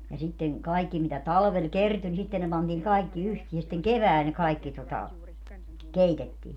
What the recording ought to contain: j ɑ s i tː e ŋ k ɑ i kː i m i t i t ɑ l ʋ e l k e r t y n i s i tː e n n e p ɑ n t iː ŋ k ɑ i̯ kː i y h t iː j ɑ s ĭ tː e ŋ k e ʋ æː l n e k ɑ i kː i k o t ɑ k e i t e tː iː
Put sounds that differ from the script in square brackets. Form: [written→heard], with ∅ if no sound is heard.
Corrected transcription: j ɑ s i tː e ŋ k ɑ i kː i m i t [i→æ] t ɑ l ʋ e l k e r t y n i s i tː e n n e p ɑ n t iː ŋ k ɑ i̯ kː i y h t iː j ɑ s ĭ tː e ŋ k e ʋ æː l n e k ɑ i kː i [k→t] o t ɑ k e i t e tː iː